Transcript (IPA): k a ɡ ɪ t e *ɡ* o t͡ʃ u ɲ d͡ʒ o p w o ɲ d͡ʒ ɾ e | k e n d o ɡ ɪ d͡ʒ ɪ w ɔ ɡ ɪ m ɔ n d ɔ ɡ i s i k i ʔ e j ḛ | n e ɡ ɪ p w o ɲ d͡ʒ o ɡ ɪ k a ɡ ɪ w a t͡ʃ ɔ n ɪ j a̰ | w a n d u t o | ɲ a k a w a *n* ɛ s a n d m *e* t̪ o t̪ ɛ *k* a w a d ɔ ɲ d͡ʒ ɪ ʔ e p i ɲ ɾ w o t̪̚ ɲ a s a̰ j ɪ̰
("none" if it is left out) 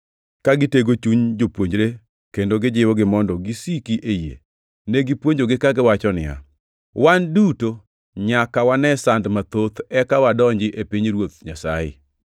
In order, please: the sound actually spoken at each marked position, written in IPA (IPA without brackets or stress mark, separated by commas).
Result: ɡ, n, a, k